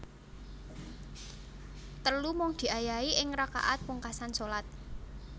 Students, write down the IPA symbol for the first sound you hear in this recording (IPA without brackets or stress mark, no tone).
t̪